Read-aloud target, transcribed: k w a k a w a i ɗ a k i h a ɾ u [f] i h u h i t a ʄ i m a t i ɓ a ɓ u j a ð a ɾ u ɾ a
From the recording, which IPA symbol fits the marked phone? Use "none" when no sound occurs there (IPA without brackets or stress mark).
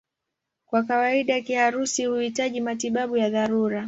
s